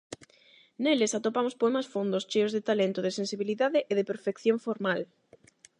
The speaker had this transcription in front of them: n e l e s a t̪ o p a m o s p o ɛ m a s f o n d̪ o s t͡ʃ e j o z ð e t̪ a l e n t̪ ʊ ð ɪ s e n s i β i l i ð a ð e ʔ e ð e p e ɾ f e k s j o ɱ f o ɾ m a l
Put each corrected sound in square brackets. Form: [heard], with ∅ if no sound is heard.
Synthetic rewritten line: n e l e s a t̪ o p a m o s p o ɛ m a s f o n d̪ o s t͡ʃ e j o z ð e t̪ a l e n t̪ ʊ ð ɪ s e n s i β i l i ð a ð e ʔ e ð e p e ɾ f e k [θ] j o ɱ f o ɾ m a l